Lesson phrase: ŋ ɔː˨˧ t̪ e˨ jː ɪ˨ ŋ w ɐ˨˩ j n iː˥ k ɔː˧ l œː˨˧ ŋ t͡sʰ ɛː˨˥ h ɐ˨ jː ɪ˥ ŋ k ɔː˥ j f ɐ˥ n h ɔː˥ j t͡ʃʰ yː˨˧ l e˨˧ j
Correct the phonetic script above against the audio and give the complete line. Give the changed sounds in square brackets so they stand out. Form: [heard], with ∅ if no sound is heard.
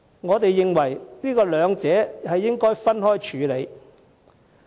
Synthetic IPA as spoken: ŋ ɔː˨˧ t̪ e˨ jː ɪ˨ ŋ w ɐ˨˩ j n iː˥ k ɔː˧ l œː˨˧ ŋ [t͡s] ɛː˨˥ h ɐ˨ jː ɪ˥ ŋ k ɔː˥ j f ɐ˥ n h ɔː˥ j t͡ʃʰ yː˨˧ l e˨˧ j

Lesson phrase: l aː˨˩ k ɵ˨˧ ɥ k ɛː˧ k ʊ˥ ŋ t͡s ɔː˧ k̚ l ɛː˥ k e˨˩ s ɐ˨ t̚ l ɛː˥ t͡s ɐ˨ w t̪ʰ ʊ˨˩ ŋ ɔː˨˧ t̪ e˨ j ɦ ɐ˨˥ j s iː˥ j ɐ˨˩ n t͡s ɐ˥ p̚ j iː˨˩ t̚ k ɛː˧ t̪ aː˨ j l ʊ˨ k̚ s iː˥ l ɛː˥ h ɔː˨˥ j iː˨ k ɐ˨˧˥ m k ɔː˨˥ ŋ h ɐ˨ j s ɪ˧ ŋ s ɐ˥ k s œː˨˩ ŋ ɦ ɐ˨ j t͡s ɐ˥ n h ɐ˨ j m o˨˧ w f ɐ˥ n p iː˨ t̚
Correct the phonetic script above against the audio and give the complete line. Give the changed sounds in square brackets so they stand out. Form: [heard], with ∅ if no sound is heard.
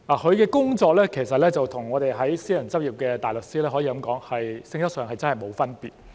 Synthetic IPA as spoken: l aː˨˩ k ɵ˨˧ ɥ k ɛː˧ k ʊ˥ ŋ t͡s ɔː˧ k̚ l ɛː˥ [kʰ] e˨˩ s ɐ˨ t̚ l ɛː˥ t͡s ɐ˨ w t̪ʰ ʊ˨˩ ŋ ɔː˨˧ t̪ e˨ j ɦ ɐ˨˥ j s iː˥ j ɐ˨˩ n t͡s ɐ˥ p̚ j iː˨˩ [p̚] k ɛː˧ t̪ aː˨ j l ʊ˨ k̚ s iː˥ l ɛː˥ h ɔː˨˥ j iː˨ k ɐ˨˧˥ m k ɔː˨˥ ŋ h ɐ˨ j s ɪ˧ ŋ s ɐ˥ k s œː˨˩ ŋ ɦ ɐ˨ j t͡s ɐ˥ n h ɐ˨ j m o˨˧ w f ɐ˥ n p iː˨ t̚

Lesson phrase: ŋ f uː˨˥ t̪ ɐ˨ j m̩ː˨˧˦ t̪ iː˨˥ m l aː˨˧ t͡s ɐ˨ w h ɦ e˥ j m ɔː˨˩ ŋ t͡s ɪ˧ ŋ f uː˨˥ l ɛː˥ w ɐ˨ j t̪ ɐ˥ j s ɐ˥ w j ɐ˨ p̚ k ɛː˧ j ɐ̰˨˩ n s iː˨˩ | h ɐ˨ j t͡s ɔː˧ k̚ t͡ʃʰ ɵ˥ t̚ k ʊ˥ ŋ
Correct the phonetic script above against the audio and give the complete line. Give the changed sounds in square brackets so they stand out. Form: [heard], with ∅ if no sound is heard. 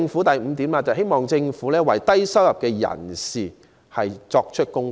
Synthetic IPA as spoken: ŋ f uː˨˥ t̪ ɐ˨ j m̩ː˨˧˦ t̪ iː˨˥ m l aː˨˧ t͡s ɐ˨ w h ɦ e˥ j m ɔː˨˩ ŋ t͡s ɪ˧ ŋ f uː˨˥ l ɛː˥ w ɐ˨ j t̪ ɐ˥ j s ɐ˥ w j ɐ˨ p̚ k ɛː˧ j ɐ̰˨˩ n s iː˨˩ | h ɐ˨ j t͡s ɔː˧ k̚ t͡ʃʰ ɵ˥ t̚ k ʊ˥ ŋ

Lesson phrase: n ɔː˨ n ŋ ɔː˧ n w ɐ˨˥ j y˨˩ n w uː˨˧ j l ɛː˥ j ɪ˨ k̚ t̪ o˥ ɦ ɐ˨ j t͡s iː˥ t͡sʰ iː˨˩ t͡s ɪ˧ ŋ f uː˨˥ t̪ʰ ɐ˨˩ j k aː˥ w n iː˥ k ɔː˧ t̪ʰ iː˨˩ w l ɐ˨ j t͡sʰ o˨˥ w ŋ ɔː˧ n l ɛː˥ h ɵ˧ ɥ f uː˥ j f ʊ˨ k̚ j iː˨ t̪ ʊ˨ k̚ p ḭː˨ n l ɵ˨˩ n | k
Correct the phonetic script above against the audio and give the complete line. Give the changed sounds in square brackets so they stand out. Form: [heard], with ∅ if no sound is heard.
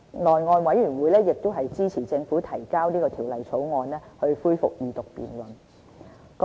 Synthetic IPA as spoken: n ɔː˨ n ŋ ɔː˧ n w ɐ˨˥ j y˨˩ n w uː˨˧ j l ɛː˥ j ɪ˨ k̚ t̪ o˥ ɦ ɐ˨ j t͡s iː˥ t͡sʰ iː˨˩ t͡s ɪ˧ ŋ f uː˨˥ t̪ʰ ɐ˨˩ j k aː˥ w n iː˥ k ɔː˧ t̪ʰ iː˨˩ w l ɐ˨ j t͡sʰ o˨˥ w ŋ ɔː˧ n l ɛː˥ h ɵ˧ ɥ f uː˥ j f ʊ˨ k̚ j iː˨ t̪ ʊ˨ k̚ p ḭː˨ n l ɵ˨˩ n | k

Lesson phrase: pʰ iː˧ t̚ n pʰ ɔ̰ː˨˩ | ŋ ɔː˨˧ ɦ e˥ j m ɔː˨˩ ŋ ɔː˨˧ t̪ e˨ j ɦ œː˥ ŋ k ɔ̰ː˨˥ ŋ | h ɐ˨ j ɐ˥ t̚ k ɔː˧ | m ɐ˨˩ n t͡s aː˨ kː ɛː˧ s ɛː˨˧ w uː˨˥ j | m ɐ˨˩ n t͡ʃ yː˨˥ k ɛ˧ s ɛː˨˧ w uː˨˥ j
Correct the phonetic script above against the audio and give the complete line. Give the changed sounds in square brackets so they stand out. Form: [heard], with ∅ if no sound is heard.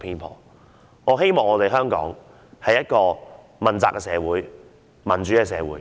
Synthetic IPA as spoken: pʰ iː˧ [∅] n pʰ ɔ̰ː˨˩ | ŋ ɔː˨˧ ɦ e˥ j m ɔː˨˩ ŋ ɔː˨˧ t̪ e˨ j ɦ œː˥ ŋ k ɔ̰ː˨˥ ŋ | h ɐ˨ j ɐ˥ t̚ k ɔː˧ | m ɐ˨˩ n t͡s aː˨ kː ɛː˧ s ɛː˨˧ w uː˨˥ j | m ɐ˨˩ n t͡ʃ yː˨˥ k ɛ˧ s ɛː˨˧ w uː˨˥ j

